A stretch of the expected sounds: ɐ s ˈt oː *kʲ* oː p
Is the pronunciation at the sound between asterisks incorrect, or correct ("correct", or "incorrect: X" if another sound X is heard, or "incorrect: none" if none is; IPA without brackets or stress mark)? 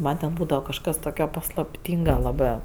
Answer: correct